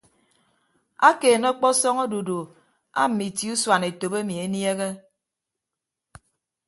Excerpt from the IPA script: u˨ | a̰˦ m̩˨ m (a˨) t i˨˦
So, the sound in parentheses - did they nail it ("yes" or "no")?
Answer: no